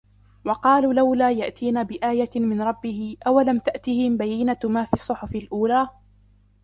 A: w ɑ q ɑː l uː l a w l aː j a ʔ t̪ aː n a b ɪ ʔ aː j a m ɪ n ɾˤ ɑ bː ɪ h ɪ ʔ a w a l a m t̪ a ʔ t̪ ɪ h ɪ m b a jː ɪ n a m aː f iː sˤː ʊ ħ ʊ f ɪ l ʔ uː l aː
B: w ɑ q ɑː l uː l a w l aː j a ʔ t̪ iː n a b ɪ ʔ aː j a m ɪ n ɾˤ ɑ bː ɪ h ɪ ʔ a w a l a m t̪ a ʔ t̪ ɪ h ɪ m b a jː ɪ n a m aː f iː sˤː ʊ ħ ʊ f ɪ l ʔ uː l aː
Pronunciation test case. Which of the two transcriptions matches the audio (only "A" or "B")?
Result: B